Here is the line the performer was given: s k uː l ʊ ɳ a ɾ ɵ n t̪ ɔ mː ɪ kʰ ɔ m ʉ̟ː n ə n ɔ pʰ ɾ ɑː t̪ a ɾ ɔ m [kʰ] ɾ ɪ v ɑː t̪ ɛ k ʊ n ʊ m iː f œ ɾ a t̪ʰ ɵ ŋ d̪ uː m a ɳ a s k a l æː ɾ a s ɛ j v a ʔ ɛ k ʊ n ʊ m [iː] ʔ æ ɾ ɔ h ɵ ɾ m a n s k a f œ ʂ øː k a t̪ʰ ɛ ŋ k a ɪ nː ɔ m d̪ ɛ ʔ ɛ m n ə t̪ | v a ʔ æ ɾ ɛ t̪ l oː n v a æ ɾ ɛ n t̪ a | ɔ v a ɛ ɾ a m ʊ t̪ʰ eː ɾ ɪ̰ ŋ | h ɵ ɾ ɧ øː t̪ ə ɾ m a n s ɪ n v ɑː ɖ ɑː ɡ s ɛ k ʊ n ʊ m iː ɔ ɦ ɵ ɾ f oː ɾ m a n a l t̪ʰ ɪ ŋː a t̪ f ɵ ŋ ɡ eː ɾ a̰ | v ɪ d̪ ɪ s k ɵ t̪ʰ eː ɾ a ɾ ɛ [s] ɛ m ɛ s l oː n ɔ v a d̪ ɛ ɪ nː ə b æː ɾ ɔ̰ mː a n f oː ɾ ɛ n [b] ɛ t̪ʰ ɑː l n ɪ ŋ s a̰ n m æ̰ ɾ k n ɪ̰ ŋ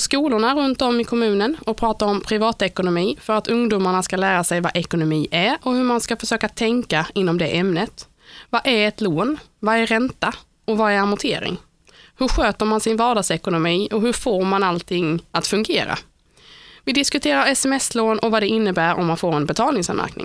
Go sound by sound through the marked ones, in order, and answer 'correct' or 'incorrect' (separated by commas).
incorrect, correct, correct, correct